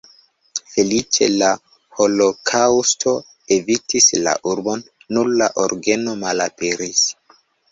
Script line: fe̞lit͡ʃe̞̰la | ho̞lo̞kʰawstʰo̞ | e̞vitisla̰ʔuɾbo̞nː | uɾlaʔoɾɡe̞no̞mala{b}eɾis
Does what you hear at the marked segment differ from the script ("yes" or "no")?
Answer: yes